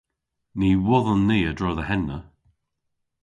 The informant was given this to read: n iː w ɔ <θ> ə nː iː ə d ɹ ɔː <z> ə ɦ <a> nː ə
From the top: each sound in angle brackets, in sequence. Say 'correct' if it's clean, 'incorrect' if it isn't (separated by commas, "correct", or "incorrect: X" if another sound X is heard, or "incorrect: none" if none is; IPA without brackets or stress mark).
incorrect: ð, incorrect: ð, incorrect: ɛ